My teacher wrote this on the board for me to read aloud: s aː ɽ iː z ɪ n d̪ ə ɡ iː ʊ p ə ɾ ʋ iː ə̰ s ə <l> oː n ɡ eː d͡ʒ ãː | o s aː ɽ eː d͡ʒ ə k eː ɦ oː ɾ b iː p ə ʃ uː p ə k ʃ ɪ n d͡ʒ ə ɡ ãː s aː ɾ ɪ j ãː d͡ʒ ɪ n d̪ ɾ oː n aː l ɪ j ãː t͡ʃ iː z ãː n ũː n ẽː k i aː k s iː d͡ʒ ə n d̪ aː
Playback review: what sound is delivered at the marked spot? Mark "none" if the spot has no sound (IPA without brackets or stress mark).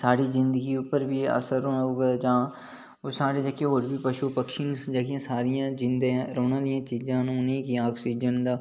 ɾ